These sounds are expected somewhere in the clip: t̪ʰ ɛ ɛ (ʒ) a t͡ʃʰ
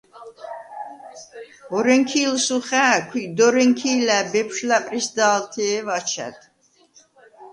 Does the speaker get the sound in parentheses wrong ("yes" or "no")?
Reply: yes